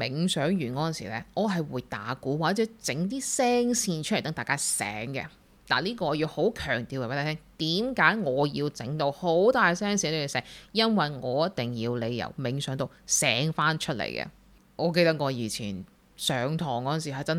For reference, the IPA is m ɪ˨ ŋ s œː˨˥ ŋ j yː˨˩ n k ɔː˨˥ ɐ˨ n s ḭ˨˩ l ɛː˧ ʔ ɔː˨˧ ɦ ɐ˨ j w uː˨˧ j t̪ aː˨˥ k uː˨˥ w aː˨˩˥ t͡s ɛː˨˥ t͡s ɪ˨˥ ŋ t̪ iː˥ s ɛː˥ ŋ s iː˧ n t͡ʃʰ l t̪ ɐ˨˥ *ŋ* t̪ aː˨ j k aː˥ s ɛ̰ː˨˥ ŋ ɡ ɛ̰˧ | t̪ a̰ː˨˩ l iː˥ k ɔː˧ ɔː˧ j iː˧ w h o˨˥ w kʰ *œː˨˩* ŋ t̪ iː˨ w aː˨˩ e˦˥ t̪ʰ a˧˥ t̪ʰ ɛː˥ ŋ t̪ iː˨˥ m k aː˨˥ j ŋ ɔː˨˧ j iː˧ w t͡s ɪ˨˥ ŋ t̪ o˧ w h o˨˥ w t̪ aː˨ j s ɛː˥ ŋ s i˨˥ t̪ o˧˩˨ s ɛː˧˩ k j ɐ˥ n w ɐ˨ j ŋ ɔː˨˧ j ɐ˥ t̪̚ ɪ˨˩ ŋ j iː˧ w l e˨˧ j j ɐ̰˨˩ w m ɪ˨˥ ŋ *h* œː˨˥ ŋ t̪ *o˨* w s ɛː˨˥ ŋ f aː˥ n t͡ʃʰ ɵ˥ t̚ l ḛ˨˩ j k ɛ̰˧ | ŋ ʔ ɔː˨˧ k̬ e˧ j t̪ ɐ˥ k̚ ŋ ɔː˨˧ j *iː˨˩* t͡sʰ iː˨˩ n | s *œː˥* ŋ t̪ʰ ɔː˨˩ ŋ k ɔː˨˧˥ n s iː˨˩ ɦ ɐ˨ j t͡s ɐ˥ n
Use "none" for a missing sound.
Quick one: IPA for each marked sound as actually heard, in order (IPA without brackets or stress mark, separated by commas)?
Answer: ŋ, œː˨˩, s, o˨, iː˨˩, œː˨˧